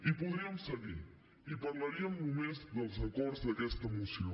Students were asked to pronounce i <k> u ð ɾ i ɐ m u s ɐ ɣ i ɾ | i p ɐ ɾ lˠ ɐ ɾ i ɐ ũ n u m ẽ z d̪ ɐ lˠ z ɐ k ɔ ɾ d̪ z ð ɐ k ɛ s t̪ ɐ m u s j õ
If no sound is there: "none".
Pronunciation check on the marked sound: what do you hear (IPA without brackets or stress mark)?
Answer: p